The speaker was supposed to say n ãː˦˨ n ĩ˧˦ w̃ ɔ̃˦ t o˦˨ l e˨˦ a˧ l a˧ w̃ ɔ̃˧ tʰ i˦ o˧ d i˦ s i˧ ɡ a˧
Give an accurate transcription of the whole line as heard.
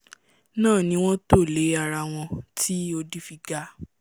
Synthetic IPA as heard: n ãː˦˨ n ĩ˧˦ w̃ ɔ̃˦ t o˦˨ l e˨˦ a˧ ɾ a˧ w̃ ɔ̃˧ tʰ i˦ o˧ d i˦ f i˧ ɡ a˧